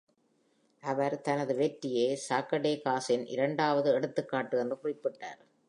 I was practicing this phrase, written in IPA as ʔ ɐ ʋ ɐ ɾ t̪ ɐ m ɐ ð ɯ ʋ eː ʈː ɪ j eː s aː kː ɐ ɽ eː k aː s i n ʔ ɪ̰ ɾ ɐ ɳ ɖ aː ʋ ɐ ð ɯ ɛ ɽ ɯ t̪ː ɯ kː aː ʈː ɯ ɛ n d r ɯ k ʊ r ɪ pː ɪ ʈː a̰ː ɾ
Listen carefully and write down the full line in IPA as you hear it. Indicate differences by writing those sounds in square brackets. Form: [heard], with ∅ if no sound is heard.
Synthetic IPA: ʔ ɐ ʋ ɐ ɾ t̪ ɐ [n] ɐ ð ɯ ʋ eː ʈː ɪ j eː s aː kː ɐ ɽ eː k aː s [ɪ] n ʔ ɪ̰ ɾ ɐ ɳ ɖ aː ʋ ɐ ð ɯ ɛ ɽ ɯ t̪ː ɯ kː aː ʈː ɯ ɛ n d r ɯ k ʊ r ɪ pː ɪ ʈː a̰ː ɾ